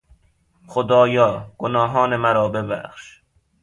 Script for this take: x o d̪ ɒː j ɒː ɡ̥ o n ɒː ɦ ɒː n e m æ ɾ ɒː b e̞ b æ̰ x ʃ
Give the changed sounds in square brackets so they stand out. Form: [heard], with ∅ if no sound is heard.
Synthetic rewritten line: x o d̪ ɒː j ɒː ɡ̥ o n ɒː ɦ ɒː n e m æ ɾ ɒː b e̞ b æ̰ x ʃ